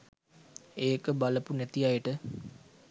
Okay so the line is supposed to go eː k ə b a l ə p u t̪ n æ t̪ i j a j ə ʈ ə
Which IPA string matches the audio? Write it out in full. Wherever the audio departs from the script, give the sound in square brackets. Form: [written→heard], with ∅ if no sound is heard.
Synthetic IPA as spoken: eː k ə b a l ə p u [t̪→∅] n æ t̪ i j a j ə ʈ ə